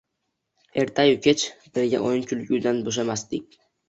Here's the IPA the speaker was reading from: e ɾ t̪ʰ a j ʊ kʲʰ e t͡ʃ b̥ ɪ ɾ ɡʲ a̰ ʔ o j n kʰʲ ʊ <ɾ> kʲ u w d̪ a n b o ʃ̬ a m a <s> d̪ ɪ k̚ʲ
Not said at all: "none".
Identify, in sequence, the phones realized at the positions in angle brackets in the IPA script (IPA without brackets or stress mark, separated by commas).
l, s